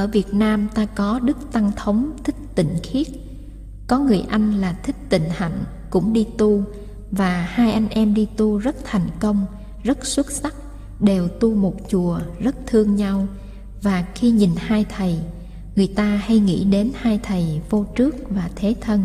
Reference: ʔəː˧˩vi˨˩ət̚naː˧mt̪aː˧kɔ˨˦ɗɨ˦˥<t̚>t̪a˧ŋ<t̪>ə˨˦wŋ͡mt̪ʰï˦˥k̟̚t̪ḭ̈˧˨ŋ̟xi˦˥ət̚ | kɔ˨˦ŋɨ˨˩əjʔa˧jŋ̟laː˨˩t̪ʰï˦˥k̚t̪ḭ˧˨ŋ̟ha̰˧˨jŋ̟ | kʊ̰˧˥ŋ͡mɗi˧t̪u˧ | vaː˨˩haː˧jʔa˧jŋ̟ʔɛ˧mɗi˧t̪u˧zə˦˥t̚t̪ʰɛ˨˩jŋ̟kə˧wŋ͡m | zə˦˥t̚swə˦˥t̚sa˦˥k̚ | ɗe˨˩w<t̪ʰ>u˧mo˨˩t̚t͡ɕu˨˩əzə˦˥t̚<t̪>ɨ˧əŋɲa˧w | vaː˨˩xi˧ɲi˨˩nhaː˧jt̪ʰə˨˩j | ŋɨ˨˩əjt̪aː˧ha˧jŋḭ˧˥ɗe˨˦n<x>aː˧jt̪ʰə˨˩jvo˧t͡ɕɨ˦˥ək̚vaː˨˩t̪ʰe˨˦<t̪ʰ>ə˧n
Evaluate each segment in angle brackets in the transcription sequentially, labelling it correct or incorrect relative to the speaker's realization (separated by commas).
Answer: incorrect, incorrect, incorrect, incorrect, incorrect, correct